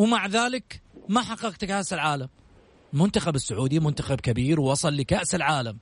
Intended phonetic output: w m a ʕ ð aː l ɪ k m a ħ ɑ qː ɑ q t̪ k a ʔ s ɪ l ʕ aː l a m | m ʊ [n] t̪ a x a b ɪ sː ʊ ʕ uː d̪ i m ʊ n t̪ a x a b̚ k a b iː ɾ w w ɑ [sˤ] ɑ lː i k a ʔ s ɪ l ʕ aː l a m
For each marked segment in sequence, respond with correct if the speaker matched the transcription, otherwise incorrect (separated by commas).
correct, correct